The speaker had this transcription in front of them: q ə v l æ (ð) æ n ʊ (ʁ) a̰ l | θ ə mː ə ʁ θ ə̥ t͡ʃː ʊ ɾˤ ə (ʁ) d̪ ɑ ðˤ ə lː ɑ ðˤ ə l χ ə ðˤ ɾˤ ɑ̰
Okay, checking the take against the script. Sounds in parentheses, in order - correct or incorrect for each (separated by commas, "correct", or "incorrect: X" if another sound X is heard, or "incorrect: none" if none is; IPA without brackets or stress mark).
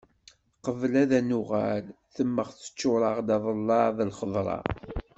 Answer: correct, correct, correct